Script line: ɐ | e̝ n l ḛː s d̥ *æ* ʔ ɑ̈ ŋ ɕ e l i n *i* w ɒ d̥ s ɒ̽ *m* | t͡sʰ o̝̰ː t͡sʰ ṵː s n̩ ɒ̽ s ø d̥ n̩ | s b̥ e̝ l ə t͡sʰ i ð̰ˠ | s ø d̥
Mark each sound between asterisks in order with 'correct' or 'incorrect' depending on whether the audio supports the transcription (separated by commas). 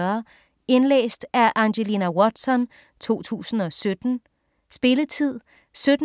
correct, incorrect, incorrect